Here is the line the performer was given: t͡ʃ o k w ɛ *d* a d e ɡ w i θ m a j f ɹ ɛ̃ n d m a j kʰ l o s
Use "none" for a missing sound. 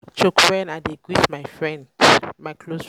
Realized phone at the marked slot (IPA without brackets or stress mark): n